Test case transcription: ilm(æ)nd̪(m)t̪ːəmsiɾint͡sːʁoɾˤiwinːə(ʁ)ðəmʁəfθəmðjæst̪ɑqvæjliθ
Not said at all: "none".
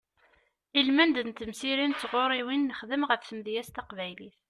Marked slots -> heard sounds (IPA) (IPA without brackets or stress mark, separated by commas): æ, n, χ